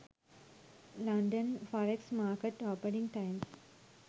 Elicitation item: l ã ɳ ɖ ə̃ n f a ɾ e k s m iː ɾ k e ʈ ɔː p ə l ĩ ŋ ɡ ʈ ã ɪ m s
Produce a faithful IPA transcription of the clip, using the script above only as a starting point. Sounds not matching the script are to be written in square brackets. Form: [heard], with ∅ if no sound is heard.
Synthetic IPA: l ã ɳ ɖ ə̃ n f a ɾ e k s m [aː] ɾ k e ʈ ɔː p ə [ɾ] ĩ ŋ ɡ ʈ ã ɪ m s